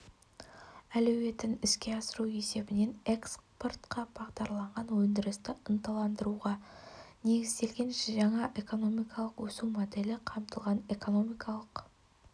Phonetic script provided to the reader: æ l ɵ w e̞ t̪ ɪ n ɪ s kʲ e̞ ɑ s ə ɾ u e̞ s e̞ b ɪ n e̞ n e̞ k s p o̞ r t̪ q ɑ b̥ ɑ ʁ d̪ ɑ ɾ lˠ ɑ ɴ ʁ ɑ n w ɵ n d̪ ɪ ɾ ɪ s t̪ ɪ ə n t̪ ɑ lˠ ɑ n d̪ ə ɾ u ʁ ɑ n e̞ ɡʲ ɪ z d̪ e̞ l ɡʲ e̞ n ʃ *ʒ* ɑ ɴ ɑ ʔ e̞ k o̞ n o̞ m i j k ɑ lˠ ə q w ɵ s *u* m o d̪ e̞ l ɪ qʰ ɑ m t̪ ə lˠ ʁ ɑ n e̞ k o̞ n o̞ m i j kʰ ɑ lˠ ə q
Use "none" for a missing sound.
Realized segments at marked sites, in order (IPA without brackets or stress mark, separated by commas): ʒ, u